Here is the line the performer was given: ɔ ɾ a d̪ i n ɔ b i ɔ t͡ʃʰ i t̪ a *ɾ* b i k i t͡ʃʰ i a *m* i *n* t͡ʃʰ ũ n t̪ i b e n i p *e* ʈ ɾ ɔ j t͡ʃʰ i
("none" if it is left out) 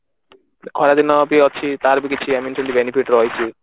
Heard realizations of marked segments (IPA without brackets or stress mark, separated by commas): ɾ, m, n, i